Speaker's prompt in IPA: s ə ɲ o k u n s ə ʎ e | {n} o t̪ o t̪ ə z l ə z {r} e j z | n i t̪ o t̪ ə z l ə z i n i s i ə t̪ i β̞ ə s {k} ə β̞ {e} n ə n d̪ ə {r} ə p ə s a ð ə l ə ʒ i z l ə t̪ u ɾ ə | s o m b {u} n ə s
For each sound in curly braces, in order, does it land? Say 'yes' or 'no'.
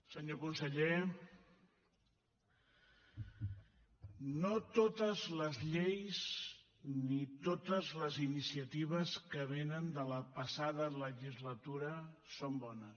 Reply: yes, no, yes, yes, no, no

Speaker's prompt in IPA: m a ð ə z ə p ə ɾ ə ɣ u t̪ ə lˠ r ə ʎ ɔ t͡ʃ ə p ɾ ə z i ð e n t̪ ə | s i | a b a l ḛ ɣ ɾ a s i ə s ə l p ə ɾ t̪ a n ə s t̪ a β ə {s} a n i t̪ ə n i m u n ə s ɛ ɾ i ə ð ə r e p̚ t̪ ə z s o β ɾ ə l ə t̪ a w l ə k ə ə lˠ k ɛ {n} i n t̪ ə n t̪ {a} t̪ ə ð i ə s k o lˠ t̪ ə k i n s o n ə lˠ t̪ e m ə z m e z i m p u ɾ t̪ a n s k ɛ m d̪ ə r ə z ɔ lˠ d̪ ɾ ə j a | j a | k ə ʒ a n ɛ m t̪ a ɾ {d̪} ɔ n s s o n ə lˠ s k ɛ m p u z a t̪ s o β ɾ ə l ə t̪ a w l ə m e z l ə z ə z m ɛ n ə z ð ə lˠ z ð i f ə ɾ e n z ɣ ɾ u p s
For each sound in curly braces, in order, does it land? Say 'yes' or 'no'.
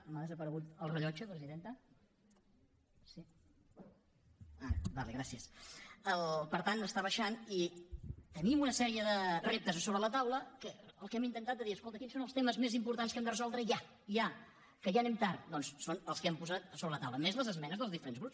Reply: no, no, yes, yes

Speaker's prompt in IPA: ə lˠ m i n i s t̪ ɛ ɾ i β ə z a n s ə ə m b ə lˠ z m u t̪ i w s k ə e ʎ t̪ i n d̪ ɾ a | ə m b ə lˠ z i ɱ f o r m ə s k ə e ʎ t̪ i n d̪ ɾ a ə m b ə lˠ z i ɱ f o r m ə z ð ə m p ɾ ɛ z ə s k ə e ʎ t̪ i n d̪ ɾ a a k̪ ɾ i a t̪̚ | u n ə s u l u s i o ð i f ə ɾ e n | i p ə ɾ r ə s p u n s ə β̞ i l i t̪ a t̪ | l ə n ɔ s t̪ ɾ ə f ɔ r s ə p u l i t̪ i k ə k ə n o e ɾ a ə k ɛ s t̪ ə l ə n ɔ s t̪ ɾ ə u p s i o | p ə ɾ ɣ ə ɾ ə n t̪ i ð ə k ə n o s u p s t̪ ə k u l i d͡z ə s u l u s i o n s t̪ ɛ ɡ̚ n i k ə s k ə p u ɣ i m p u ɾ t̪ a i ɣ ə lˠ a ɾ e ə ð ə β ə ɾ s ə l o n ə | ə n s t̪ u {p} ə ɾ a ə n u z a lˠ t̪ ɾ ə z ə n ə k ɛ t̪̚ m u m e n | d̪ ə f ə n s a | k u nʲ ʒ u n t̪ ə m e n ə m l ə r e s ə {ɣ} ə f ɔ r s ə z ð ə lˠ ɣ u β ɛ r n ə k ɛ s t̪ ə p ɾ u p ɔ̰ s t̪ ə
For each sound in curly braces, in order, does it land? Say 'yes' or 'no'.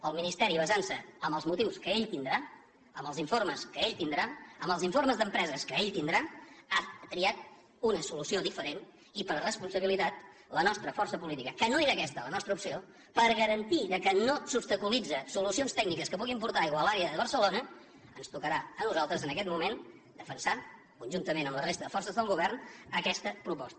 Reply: no, no

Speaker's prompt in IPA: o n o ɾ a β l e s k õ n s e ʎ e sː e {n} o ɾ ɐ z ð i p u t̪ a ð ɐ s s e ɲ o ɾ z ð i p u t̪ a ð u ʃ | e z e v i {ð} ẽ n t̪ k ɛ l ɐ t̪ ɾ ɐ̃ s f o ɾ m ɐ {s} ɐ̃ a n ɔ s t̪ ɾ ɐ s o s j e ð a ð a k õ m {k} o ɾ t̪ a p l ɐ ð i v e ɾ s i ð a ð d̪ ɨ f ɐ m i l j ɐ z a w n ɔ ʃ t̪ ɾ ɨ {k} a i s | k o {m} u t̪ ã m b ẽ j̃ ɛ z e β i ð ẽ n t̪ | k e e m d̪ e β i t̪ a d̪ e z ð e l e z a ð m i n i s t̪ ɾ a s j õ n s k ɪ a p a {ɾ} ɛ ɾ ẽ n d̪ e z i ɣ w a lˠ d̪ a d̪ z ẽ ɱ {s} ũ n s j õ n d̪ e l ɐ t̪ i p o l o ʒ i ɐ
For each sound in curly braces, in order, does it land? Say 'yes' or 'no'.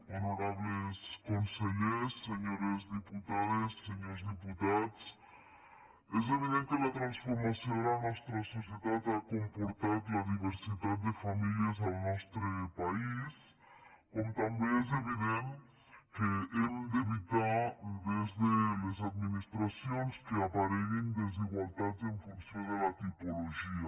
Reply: no, yes, yes, no, no, yes, yes, no

